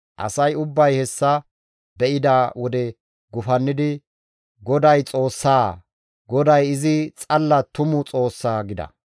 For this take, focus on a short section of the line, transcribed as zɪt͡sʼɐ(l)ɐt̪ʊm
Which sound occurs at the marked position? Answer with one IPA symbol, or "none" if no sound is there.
lː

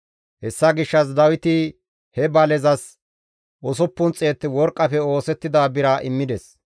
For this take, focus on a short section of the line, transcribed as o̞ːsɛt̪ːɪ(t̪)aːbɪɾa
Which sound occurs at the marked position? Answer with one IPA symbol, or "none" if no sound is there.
d̪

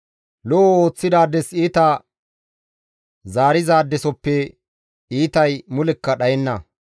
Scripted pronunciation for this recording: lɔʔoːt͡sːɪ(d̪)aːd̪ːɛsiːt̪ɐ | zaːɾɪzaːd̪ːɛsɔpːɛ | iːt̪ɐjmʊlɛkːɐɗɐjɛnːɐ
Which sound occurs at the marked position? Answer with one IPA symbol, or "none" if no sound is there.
d̪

